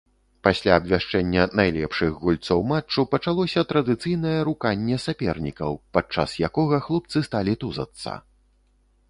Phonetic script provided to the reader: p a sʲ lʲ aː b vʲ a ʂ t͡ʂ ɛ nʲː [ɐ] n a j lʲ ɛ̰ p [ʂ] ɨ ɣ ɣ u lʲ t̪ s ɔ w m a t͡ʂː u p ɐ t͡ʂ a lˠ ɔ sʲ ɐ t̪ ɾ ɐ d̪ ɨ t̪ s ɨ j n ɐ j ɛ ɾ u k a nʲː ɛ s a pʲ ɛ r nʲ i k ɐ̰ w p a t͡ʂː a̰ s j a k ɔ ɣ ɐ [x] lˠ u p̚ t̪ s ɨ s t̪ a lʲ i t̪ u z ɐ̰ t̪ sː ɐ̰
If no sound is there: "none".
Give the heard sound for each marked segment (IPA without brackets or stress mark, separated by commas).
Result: ɐ, ʂ, x